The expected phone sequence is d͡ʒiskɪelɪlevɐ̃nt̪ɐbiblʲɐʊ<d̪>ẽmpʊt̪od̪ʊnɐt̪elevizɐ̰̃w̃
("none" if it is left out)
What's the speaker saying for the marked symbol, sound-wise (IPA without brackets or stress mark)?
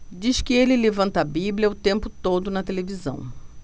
t̪